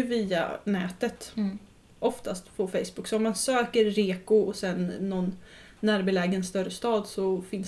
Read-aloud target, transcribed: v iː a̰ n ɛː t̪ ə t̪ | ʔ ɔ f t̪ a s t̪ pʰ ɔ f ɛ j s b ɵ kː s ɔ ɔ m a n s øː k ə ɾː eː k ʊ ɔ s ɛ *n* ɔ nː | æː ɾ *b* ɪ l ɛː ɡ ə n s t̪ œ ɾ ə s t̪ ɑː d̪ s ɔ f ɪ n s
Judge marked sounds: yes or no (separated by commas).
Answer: no, yes